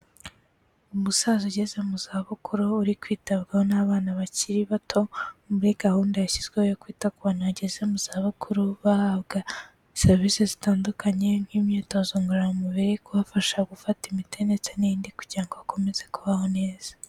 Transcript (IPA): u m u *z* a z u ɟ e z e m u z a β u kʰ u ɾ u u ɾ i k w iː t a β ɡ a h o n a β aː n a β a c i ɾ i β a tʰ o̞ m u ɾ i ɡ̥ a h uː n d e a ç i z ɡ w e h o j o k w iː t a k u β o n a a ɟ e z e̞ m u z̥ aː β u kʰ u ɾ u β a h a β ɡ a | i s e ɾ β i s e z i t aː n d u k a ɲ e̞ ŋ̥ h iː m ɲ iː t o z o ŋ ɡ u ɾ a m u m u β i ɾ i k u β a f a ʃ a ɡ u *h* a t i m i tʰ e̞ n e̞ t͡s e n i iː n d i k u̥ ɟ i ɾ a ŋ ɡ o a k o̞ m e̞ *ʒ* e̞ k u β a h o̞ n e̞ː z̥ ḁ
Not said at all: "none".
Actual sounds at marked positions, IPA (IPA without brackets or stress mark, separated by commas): s, f, z